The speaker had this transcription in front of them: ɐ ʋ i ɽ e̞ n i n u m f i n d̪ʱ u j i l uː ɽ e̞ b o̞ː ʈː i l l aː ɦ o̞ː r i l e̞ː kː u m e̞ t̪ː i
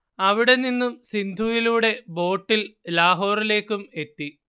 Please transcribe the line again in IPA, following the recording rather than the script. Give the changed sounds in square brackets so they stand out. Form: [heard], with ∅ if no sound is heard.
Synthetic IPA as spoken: ɐ ʋ i ɽ e̞ n i [nː] u m [s] i n d̪ʱ u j i l uː ɽ e̞ b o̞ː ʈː i l l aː ɦ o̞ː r i l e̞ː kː u m e̞ t̪ː i